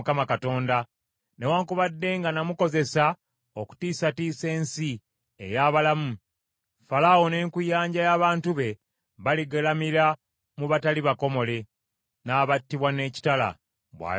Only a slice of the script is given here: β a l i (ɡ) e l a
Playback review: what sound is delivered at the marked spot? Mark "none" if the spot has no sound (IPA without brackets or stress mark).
ɡ